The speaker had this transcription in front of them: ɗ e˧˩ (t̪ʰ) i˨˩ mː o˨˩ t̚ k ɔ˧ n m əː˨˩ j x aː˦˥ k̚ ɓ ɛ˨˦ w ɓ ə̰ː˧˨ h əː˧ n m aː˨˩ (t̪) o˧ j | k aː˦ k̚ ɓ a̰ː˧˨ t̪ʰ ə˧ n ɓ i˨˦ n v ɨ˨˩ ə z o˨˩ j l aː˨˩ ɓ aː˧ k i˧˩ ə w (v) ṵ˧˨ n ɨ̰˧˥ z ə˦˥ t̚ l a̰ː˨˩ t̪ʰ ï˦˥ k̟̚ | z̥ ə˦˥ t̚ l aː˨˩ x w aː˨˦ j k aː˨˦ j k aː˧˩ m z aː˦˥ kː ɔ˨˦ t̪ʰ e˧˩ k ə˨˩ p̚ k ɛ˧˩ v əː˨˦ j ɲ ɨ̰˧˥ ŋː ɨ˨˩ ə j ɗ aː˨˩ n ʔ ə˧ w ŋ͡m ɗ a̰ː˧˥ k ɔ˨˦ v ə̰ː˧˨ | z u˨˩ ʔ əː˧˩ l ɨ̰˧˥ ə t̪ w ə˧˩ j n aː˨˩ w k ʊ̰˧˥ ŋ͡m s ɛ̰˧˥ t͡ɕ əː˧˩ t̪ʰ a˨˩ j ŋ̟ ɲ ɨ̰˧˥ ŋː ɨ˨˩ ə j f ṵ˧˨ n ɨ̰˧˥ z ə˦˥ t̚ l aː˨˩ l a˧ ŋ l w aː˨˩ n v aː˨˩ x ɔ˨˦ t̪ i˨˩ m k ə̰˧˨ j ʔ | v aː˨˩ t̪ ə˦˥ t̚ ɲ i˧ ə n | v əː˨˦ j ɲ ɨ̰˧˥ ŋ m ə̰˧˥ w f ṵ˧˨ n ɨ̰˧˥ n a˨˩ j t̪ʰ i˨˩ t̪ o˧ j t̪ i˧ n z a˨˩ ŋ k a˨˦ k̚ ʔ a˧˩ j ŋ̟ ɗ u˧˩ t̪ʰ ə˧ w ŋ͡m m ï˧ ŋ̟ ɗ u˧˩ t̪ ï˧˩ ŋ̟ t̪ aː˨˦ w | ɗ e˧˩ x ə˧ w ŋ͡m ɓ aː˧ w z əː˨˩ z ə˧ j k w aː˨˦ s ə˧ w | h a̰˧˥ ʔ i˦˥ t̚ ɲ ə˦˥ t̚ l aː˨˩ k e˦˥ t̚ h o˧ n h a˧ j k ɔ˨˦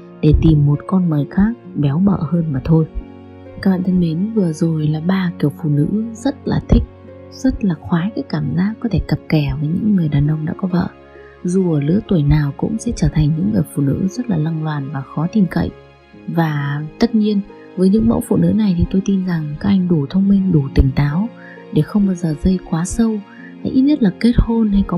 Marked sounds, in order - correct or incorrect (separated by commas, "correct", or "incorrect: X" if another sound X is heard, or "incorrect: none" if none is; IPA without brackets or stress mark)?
incorrect: t̪, incorrect: t̪ʰ, incorrect: f